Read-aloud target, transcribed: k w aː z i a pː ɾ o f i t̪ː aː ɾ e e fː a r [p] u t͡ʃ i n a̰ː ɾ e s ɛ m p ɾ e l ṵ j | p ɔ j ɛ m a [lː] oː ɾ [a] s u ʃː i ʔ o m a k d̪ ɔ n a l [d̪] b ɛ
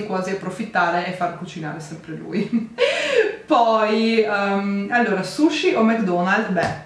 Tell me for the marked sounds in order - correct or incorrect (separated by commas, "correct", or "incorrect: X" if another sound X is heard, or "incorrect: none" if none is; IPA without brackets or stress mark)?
incorrect: k, correct, correct, correct